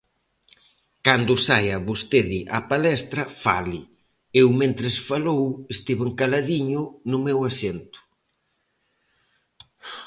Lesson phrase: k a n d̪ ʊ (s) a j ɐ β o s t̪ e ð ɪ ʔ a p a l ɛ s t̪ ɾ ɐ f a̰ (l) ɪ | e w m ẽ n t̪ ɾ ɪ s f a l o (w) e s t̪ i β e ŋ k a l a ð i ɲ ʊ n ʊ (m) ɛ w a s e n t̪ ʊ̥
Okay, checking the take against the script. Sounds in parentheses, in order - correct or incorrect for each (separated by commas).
correct, correct, correct, correct